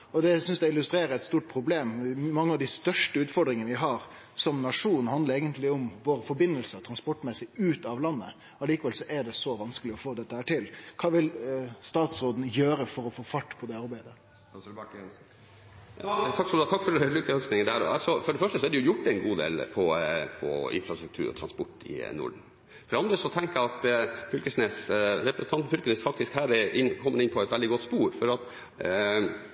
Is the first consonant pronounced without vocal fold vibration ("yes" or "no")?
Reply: no